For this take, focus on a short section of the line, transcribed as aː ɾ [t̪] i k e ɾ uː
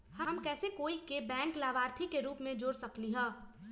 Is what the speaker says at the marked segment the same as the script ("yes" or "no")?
no